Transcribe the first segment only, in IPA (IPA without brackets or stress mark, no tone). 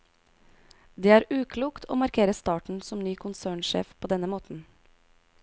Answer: d̪